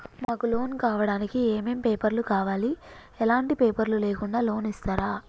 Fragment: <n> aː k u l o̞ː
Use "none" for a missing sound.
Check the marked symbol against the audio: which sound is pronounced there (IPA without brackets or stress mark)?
m